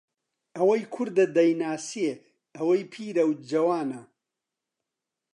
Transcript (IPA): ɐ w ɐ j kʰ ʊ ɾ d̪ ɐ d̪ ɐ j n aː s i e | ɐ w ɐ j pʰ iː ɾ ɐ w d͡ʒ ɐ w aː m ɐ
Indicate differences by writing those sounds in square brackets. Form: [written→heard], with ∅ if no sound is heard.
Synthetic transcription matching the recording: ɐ w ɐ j kʰ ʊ ɾ d̪ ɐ d̪ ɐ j n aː s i e | ɐ w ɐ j pʰ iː ɾ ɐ w d͡ʒ ɐ w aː [m→n] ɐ